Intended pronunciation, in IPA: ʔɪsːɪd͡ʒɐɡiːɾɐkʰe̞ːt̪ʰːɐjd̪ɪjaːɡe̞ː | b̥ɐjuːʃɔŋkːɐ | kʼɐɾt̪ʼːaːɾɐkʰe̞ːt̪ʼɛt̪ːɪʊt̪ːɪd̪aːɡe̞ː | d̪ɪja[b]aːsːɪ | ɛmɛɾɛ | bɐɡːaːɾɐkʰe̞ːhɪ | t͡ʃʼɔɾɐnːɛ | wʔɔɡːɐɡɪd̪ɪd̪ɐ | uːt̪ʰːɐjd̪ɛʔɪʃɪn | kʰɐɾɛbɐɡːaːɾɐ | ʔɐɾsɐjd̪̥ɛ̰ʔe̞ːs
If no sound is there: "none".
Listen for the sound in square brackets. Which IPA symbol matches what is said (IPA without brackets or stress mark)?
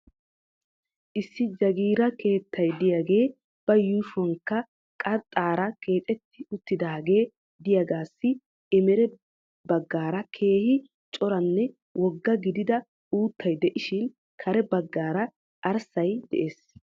ɡ